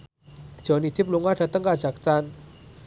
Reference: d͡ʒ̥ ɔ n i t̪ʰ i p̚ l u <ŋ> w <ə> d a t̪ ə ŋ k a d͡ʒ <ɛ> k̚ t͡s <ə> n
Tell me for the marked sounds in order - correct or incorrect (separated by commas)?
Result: correct, incorrect, incorrect, incorrect